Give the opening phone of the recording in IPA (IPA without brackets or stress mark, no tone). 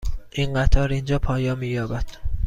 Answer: ʔ